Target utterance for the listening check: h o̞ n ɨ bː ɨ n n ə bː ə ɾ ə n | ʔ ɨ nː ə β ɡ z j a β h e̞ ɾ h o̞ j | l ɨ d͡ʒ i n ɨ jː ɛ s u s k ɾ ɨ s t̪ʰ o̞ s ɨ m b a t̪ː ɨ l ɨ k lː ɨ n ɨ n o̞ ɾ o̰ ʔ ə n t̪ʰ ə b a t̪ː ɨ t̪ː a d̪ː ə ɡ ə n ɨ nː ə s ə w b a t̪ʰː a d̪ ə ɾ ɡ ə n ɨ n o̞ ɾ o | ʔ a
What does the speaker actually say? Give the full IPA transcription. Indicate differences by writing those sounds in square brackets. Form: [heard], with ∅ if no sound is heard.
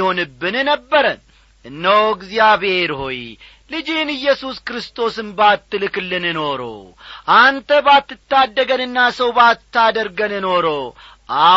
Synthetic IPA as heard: h o̞ n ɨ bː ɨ n n ə bː ə ɾ ə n | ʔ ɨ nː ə [w] ɡ z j a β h e̞ ɾ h o̞ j | l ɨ d͡ʒ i n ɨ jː ɛ s u s k ɾ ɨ s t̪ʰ o̞ s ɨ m b a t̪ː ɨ l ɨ k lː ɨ n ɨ n o̞ ɾ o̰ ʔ [a] n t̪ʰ ə b a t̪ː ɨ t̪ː a d̪ː ə ɡ ə n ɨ nː [a] s ə w b a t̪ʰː a d̪ ə ɾ ɡ ə n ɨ n o̞ ɾ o | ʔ a